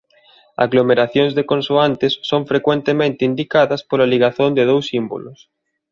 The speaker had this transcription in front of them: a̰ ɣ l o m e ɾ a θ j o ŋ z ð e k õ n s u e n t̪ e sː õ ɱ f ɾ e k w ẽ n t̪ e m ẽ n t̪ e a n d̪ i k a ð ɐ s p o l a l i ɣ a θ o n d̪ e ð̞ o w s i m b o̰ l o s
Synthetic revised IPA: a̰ ɣ l o m e ɾ a θ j o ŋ z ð e k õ n s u a n t̪ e sː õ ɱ f ɾ e k w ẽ n t̪ e m ẽ n t̪ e i n d̪ i k a ð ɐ s p o l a l i ɣ a θ o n d̪ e ð̞ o w s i m b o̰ l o s

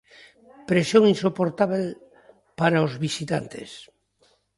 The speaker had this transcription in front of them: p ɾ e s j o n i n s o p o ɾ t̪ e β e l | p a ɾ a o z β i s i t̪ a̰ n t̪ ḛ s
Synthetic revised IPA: p ɾ e s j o ŋ i n s o p o ɾ t̪ a β e l | p a ɾ a o z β i s i t̪ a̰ n t̪ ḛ s

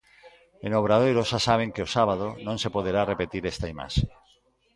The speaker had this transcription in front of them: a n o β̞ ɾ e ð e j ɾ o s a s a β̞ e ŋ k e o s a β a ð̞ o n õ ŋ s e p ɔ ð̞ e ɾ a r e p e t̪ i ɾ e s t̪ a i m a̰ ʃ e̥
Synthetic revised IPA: e n o β̞ ɾ a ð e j ɾ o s a s a β̞ e ŋ k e o s a β a ð̞ o n õ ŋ s e p o ð̞ e ɾ a r e p e t̪ i ɾ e s t̪ a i m a̰ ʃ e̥

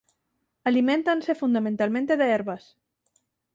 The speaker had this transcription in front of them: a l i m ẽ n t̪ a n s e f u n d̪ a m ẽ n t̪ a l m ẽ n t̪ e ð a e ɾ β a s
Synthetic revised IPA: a l i m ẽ n t̪ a n s e f u n d̪ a m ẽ n t̪ a l m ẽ n t̪ e ð e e ɾ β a s

